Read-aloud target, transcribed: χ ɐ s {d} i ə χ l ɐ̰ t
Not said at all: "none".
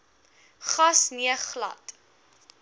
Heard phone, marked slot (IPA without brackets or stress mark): n